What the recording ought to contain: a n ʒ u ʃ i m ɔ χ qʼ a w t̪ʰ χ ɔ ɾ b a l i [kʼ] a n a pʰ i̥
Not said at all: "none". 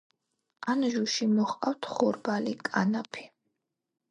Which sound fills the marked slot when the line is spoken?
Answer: kʼ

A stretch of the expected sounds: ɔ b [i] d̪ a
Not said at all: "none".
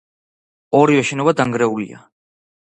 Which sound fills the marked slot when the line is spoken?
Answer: a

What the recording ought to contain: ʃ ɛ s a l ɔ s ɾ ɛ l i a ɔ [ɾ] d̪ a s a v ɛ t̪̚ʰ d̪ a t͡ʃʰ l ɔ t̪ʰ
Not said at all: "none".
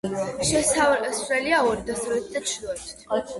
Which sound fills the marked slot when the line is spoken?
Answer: ɾ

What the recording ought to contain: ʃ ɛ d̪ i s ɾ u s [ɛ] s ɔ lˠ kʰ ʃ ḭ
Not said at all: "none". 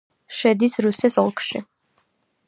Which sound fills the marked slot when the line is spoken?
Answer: ɛ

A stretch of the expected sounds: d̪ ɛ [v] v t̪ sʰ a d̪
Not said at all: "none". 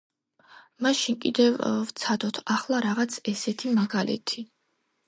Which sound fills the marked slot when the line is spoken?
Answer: v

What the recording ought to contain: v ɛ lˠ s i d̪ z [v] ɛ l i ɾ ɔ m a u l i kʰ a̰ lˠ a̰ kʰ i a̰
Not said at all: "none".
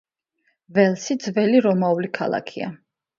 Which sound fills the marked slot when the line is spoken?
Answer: v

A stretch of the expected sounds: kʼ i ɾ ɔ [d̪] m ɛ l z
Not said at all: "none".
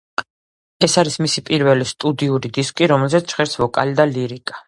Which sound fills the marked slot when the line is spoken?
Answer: none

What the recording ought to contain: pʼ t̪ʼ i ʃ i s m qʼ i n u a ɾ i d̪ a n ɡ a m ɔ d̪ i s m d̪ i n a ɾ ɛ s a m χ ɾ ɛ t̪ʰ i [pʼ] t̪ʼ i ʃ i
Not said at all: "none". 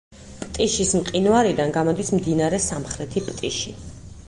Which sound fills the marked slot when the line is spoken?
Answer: pʼ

